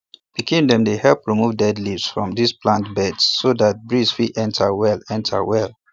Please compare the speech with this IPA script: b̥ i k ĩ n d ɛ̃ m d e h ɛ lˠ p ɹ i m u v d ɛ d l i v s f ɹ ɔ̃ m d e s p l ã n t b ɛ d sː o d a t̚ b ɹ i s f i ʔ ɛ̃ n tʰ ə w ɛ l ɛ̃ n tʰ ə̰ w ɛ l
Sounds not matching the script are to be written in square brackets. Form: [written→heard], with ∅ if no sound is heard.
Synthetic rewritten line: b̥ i k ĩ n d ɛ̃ m d e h ɛ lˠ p ɹ i m u v d ɛ d l i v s f ɹ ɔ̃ m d [e→i] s p l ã n t b ɛ d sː o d a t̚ b ɹ i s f i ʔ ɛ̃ n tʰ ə w ɛ l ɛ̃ n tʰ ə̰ w ɛ l